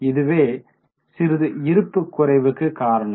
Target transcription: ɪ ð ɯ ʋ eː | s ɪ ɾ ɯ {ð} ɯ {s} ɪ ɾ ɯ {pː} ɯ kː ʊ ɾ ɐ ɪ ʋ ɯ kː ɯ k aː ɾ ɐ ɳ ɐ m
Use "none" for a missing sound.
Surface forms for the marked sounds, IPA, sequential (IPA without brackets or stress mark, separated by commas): ð, none, pː